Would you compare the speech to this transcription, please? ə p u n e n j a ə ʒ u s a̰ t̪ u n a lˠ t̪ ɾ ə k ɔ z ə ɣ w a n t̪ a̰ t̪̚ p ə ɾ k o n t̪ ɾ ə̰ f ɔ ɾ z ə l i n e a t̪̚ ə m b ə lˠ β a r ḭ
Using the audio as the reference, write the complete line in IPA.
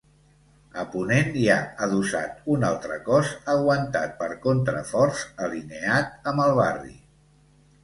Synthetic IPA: ə p u n e n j a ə ð u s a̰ t̪ u n a lˠ t̪ ɾ ə k ɔ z ə ɣ w ə n t̪ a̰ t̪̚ p ə ɾ k o n t̪ ɾ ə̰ f ɔ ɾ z ə l i n e a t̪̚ ə m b ə lˠ β a r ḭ